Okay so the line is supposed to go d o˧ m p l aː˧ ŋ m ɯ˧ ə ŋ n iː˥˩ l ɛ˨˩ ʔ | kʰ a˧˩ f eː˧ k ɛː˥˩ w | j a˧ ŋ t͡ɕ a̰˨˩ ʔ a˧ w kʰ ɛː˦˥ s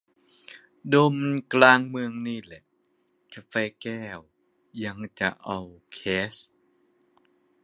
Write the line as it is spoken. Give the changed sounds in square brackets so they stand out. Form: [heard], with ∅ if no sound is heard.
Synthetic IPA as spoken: d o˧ m [k] l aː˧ ŋ m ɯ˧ ə ŋ n iː˥˩ l ɛ˨˩ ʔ | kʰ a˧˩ f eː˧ k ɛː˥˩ w | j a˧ ŋ t͡ɕ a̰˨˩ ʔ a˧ w kʰ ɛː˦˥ s